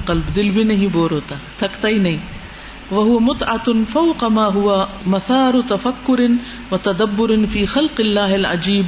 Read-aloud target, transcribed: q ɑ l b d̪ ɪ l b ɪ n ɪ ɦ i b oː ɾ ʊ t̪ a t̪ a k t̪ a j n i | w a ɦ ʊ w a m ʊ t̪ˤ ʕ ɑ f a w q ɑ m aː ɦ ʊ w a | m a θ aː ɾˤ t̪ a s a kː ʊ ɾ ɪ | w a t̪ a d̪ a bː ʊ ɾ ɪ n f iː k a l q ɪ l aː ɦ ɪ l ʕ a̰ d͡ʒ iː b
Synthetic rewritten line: q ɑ l b d̪ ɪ l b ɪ n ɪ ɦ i b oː ɾ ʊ t̪ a t̪ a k t̪ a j n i | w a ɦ ʊ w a m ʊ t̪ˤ ʕ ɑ f a w q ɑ m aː ɦ ʊ w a | m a θ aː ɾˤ t̪ a f a kː ʊ ɾ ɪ | w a t̪ a d̪ a bː ʊ ɾ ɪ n f iː x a l q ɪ lː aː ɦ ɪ l ʕ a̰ d͡ʒ iː b